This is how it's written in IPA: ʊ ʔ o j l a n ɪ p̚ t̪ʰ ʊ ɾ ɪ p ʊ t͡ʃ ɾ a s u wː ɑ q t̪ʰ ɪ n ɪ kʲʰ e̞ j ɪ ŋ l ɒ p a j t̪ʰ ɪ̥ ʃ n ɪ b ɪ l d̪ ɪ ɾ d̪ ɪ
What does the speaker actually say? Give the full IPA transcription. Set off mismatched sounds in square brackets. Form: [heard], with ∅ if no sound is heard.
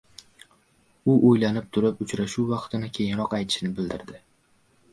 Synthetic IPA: ʊ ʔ o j l a n ɪ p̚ t̪ʰ ʊ ɾ ɪ p ʊ t͡ʃ ɾ a [ʃ] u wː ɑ q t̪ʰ ɪ n ɪ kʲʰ e̞ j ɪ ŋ [ɾ] ɒ [q] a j t̪ʰ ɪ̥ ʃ n ɪ b ɪ l d̪ ɪ ɾ d̪ ɪ